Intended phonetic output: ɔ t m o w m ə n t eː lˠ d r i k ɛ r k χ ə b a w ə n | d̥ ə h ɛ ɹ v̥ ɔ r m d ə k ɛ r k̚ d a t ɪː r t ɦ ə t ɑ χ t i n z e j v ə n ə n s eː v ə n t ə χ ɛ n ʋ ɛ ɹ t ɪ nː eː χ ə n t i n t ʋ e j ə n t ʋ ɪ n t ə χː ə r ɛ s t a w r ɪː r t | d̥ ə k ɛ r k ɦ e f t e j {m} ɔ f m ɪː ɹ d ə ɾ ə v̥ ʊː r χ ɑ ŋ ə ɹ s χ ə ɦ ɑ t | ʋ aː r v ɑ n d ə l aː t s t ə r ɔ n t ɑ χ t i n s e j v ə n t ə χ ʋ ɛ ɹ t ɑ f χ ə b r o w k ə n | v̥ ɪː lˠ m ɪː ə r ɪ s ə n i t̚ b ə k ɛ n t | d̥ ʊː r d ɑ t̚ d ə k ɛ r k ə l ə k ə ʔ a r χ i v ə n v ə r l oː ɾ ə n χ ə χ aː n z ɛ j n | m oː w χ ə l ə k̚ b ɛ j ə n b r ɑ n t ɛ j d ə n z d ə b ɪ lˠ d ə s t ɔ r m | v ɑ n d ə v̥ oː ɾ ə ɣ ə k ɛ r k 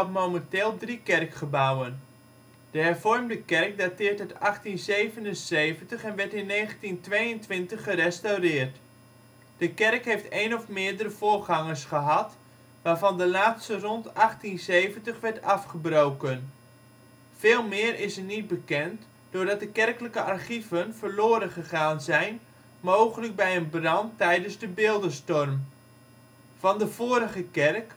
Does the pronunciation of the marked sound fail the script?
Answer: yes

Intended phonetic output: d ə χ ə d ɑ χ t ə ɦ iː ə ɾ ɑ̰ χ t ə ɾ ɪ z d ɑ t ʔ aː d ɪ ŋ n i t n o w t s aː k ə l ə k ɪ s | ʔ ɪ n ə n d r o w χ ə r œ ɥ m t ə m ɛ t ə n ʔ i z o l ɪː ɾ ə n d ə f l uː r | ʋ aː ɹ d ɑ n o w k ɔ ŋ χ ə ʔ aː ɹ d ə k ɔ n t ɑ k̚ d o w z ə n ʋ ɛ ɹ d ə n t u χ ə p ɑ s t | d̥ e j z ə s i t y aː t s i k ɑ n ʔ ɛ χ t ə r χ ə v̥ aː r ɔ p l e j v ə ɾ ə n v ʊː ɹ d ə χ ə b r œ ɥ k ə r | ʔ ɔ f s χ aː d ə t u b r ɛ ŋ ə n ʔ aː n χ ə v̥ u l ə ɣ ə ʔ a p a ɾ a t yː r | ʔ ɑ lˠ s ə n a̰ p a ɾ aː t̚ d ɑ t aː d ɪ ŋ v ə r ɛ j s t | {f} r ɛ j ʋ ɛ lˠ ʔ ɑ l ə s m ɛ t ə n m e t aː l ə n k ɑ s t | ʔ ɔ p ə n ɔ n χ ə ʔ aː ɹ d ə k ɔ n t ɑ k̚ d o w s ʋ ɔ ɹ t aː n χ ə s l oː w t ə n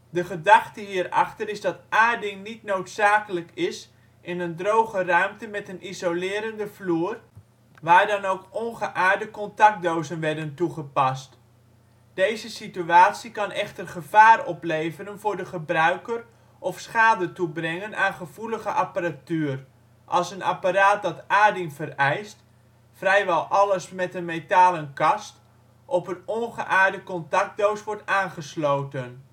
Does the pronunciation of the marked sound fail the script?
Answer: no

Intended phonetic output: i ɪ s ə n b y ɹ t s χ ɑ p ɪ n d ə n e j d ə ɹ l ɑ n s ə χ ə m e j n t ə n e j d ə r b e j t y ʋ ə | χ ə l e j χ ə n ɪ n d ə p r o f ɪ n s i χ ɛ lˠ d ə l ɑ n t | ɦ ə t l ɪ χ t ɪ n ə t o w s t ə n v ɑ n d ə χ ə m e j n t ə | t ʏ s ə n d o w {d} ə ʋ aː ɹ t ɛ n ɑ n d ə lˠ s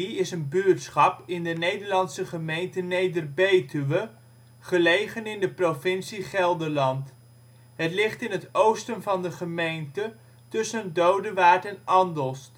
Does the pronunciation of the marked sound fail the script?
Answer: no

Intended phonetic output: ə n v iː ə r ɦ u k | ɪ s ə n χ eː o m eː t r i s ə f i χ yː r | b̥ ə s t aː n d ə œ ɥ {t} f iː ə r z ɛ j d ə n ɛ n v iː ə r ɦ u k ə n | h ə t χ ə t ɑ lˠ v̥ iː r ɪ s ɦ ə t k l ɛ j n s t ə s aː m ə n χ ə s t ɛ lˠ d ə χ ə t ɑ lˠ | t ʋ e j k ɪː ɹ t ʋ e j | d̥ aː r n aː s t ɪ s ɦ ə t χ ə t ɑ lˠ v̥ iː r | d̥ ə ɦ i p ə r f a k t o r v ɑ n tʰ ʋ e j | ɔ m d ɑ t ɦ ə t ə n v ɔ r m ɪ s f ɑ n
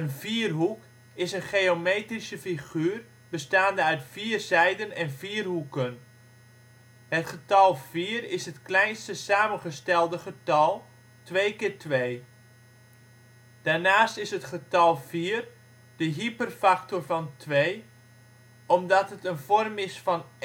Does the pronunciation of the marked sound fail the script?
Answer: no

